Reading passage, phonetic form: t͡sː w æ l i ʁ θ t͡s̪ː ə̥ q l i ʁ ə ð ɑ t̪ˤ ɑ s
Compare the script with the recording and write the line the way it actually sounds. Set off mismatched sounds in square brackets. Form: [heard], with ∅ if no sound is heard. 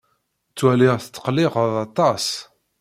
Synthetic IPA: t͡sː w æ l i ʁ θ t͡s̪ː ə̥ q l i ʁ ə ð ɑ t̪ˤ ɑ s